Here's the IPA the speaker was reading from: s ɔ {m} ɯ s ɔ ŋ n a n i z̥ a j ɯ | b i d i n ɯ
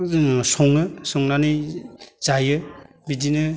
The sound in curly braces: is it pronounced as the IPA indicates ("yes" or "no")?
no